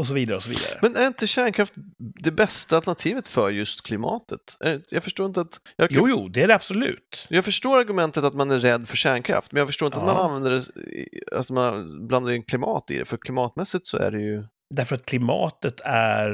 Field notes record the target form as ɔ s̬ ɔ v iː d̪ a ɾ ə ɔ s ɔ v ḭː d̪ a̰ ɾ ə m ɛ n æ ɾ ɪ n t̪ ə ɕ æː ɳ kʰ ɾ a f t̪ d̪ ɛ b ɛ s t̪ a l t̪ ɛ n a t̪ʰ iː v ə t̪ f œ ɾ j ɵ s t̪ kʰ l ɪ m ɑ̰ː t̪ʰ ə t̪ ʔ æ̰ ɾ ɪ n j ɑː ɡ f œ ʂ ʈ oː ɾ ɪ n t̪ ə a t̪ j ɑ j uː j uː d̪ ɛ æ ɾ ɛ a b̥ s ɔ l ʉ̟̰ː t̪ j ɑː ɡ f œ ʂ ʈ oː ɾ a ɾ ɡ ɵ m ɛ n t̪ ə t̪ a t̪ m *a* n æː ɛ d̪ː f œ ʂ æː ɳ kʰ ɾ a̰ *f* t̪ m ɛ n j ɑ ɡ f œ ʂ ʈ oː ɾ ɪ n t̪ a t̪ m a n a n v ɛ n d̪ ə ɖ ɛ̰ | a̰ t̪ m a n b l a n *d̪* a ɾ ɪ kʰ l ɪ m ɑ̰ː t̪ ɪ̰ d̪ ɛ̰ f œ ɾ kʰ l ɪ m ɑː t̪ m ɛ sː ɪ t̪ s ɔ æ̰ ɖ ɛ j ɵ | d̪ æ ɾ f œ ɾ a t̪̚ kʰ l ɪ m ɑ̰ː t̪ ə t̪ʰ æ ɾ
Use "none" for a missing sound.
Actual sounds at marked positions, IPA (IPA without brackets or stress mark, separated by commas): a, f, d̪